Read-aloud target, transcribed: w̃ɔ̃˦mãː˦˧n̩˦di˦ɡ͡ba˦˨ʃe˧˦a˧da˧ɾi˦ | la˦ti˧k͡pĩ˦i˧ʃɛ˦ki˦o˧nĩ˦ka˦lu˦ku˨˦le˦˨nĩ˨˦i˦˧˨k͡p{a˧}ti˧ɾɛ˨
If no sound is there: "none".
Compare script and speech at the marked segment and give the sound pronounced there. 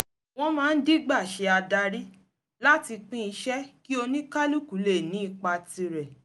a˧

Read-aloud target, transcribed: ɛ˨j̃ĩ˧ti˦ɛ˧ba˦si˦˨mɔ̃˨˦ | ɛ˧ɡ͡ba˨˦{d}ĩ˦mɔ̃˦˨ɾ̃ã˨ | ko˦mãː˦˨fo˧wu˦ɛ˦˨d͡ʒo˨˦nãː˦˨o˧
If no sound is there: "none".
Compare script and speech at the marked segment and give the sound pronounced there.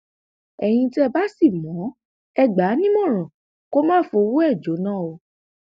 n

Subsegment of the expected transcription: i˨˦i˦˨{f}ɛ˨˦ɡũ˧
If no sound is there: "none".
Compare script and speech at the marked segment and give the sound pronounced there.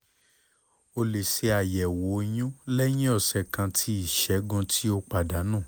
ʃ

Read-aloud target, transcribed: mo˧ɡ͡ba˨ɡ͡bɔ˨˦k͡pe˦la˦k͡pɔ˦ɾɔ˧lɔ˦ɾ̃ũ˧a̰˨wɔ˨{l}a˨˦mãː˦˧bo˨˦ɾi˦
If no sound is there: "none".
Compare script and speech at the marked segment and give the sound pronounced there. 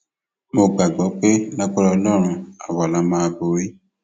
l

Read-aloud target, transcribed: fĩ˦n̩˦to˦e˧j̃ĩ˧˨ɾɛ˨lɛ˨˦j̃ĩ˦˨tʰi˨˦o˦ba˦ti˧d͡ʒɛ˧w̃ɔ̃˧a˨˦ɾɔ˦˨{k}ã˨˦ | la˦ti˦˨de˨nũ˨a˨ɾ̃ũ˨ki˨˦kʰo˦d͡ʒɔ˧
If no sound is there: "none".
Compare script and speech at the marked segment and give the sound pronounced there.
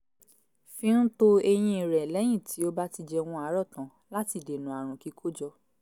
t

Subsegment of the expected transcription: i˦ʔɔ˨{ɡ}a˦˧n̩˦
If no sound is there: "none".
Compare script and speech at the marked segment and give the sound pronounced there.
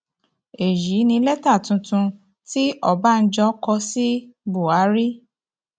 b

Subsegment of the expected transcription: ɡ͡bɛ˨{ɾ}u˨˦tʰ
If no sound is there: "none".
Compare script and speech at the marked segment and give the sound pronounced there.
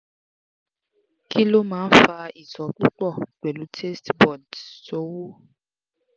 l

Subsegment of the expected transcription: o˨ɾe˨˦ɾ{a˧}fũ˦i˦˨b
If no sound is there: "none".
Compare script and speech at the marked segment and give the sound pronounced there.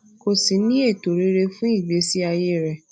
e˧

